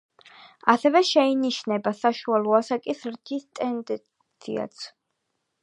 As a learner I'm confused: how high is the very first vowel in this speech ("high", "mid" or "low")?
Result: low